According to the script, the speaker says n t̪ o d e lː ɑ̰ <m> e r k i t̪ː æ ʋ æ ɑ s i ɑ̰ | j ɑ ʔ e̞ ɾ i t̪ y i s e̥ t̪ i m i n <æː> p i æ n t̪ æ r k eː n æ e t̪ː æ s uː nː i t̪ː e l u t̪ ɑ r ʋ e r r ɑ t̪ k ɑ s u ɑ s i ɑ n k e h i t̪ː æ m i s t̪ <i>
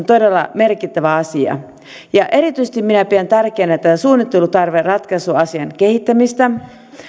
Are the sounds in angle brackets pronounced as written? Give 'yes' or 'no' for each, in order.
yes, no, no

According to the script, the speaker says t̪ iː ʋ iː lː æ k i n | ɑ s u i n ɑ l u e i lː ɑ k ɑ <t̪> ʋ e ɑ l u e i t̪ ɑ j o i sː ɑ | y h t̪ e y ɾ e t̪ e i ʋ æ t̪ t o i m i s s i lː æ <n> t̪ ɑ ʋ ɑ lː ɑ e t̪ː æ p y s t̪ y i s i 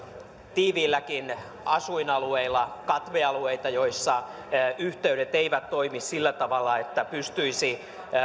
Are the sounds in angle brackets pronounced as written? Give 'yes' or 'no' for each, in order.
yes, no

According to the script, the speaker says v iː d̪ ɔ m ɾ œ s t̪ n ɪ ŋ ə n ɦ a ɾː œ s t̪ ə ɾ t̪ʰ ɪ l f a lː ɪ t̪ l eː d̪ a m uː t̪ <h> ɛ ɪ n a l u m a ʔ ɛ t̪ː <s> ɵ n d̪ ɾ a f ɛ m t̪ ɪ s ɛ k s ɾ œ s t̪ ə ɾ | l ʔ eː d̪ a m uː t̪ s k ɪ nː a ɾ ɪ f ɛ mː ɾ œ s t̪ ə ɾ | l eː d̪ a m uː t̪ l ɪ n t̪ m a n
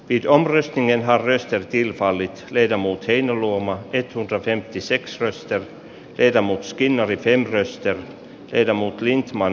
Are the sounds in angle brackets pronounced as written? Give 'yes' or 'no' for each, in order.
yes, no

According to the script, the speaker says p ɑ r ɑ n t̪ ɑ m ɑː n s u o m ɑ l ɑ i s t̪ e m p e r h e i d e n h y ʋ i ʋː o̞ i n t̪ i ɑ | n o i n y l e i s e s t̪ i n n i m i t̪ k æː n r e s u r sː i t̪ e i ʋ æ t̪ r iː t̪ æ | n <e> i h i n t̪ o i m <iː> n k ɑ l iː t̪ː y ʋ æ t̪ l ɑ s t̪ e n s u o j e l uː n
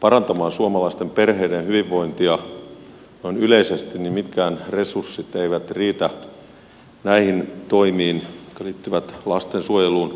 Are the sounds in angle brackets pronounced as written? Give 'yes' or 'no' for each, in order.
no, yes

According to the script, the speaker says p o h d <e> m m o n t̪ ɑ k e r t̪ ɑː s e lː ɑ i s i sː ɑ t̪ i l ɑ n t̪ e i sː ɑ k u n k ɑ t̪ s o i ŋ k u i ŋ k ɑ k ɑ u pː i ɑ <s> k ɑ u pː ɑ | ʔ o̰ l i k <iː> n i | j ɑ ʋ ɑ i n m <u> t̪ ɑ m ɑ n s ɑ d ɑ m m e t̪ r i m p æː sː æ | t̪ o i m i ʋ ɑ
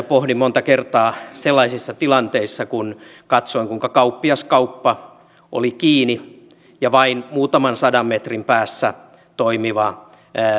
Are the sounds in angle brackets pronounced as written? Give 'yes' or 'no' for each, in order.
no, yes, yes, no

